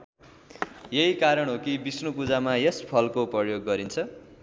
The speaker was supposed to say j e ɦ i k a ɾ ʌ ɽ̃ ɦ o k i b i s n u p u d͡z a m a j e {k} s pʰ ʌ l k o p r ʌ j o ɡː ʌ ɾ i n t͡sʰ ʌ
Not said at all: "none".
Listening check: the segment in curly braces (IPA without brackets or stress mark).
none